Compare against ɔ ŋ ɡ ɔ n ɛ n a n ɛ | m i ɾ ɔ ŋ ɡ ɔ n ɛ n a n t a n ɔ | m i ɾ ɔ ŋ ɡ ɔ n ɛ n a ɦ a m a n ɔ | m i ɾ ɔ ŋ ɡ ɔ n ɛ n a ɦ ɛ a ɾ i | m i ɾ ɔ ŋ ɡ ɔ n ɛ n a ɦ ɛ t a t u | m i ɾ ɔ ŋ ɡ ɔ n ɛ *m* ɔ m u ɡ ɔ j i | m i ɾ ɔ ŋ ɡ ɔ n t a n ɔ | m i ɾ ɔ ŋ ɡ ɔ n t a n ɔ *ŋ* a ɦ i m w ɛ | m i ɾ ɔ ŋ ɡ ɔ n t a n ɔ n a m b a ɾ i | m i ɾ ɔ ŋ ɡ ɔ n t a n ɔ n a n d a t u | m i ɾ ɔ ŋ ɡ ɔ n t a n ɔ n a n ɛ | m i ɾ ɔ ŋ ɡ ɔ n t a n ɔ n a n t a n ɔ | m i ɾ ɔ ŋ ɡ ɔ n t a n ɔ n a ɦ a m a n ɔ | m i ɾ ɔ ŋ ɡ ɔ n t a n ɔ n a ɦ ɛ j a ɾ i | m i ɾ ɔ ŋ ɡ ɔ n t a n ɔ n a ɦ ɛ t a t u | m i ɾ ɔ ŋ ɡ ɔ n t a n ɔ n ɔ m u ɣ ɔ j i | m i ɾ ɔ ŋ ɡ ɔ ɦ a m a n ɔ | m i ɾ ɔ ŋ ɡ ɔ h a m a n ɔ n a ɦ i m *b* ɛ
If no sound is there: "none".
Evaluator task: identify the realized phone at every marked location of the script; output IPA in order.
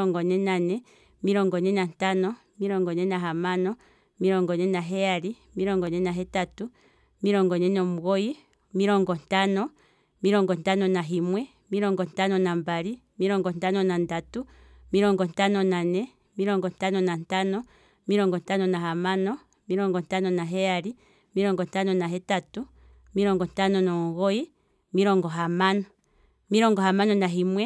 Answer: n, n, w

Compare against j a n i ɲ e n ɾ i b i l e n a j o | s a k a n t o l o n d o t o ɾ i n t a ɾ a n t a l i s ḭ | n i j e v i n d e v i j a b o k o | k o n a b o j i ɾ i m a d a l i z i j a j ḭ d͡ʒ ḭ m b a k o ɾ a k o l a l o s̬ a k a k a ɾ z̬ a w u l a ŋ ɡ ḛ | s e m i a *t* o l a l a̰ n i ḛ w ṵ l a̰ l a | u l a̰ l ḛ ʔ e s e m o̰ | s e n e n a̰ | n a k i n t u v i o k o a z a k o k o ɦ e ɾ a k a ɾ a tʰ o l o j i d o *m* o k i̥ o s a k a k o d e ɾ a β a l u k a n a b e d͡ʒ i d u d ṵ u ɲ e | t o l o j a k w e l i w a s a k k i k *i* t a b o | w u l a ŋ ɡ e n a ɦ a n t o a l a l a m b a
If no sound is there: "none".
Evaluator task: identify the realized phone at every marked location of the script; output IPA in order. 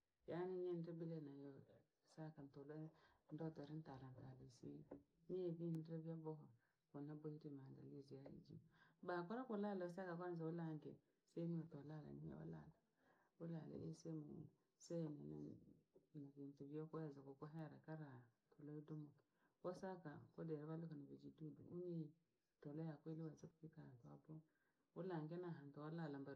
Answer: t, m, a

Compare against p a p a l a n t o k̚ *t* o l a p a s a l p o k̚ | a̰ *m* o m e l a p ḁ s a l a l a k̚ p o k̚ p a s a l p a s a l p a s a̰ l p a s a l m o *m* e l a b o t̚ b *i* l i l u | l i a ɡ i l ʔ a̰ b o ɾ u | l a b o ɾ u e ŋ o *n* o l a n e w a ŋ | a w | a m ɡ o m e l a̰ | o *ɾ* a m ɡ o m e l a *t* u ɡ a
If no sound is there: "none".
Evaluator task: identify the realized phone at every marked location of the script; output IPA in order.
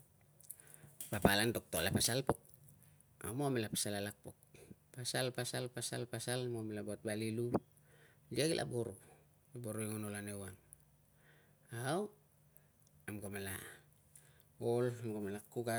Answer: t, m, m, a, n, l, k

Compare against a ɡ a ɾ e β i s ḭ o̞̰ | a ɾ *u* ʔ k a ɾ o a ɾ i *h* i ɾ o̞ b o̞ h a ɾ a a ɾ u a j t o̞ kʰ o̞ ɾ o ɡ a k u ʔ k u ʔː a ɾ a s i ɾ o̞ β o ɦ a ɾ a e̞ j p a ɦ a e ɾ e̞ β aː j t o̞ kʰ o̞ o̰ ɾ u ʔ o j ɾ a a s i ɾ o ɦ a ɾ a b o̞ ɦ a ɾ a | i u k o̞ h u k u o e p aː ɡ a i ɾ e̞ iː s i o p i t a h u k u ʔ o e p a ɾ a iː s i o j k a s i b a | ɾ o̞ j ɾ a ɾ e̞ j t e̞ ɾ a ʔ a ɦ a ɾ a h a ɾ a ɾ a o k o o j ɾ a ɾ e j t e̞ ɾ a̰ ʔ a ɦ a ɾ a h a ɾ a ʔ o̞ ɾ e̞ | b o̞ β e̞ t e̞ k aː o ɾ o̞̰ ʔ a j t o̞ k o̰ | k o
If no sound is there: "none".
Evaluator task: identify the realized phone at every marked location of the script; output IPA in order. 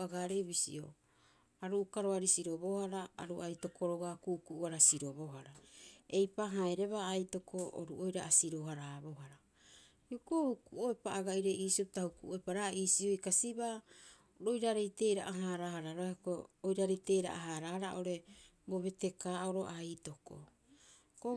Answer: u, s

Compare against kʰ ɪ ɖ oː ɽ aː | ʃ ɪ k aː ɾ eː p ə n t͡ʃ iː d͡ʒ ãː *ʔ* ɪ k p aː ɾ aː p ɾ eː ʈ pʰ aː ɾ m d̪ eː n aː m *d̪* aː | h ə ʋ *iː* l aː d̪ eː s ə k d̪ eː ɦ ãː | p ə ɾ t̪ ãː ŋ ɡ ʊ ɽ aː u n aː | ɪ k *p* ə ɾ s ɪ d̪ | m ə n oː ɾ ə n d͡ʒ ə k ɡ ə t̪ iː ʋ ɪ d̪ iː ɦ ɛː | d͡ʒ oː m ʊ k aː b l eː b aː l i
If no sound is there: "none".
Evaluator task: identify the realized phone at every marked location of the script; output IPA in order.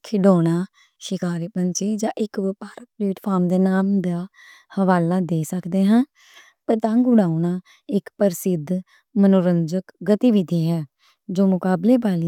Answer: ʔ, d̪, aː, p

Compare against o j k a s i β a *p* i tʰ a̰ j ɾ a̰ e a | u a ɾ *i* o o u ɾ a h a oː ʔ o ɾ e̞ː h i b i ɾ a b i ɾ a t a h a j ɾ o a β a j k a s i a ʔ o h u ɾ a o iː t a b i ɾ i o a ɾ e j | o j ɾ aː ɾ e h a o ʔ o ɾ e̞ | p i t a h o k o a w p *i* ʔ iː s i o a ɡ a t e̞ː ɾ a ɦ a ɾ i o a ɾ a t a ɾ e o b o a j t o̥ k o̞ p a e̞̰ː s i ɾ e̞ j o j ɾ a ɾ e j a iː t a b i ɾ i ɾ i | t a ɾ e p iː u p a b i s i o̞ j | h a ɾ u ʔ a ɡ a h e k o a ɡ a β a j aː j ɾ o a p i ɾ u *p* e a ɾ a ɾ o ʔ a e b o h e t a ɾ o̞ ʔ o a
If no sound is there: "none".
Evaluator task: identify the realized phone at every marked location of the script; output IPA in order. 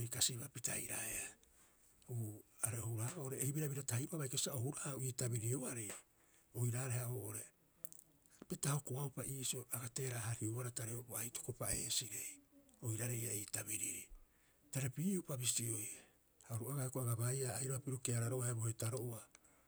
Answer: p, e, a, k

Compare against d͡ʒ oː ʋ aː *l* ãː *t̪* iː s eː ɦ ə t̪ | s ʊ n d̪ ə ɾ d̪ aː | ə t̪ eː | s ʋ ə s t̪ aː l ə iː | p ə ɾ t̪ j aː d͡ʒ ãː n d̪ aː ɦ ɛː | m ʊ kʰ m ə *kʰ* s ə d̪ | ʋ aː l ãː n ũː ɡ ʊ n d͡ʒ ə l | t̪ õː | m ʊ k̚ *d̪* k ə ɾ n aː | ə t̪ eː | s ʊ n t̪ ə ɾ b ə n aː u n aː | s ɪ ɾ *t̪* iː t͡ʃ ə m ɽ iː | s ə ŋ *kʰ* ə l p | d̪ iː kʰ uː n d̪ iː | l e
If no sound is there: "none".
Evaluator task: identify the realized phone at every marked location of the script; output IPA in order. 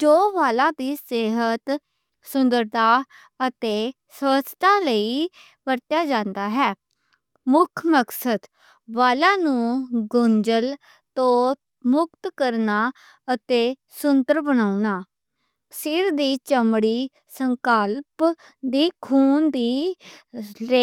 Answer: l, d̪, k, t̪, d̪, k

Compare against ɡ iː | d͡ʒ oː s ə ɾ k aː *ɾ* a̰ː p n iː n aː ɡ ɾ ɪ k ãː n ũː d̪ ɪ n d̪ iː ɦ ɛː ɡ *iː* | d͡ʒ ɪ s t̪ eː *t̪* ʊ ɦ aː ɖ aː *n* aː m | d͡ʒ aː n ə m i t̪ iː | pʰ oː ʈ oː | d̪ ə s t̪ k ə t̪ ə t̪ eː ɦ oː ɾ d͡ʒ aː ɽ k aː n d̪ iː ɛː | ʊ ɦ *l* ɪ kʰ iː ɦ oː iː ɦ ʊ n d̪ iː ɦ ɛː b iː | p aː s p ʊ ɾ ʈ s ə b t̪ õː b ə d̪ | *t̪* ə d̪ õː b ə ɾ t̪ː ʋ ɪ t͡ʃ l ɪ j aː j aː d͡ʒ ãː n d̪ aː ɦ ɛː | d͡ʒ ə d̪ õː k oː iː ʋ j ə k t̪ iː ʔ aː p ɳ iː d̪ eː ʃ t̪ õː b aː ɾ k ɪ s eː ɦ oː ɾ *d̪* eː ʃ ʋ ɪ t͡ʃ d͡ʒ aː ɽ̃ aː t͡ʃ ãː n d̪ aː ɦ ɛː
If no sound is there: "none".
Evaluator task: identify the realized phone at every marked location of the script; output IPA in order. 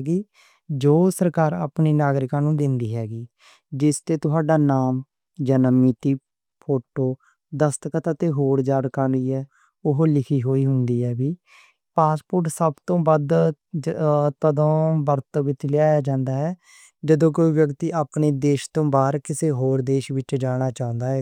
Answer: ɾ, iː, t̪, n, l, t̪, d̪

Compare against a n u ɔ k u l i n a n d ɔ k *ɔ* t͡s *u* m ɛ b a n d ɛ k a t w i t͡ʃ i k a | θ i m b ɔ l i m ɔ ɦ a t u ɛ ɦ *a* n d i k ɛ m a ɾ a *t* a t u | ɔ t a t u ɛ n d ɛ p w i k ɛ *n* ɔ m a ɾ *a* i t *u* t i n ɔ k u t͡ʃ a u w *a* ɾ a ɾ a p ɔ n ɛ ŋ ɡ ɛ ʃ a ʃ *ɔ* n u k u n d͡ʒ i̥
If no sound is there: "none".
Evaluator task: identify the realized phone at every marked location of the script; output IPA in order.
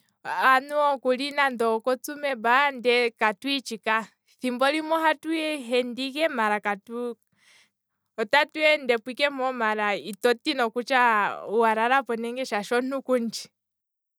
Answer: ɔ, u, ɛ, k, m, a, ɔ, a, ɔ

